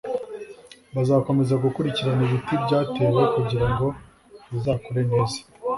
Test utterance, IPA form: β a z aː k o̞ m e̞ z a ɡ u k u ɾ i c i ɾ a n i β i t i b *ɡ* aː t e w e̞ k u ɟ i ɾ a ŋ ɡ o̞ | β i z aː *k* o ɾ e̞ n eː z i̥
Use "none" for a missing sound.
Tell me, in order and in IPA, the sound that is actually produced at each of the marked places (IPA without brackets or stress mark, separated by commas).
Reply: ɟ, k